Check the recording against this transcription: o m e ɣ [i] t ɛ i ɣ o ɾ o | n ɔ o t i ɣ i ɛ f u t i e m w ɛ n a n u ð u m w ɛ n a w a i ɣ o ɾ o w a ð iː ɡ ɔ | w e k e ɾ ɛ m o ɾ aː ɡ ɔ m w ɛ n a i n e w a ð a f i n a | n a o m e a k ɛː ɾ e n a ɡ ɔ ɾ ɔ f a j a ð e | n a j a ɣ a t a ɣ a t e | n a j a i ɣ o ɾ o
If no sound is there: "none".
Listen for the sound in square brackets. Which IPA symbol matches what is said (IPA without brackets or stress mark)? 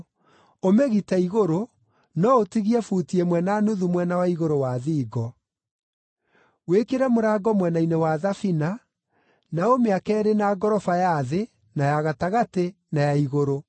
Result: i